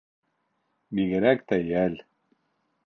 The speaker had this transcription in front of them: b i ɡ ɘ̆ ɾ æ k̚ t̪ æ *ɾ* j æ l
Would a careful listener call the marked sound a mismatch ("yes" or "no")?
yes